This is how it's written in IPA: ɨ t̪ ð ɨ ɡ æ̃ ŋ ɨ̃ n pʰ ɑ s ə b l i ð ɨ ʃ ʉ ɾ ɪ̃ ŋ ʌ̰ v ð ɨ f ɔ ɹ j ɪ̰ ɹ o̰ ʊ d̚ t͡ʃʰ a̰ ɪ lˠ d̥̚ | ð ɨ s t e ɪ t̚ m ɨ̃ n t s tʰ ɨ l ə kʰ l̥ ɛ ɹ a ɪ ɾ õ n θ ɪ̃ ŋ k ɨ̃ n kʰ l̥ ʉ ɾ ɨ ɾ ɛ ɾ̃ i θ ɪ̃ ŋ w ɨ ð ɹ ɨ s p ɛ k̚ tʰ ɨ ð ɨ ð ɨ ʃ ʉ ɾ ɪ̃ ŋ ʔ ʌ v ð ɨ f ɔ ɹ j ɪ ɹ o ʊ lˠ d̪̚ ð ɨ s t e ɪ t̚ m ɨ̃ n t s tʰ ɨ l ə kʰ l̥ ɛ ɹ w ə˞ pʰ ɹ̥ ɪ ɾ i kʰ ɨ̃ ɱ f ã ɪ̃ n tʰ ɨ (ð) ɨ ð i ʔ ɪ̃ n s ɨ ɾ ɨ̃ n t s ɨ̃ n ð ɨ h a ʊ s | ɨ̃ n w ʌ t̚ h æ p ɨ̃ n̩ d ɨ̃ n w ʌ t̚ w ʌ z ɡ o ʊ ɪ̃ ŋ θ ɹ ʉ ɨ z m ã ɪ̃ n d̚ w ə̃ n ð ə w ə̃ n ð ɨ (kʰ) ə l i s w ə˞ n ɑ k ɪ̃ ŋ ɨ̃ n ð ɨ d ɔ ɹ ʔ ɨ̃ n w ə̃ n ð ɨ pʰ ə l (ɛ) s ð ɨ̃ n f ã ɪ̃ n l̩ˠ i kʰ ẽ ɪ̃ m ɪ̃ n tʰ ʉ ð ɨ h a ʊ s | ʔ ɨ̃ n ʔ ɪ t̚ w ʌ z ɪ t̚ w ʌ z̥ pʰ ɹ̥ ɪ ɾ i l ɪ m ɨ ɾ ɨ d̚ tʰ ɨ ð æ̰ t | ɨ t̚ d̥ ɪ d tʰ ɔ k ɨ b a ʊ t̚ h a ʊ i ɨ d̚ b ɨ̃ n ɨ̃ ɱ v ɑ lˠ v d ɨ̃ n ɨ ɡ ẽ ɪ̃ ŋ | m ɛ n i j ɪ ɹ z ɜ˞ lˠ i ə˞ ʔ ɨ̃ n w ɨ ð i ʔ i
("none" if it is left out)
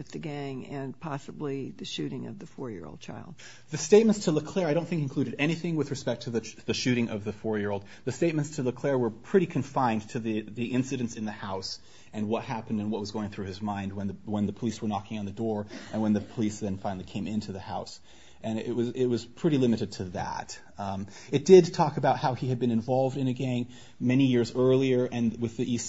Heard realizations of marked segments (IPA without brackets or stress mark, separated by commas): ð, pʰ, i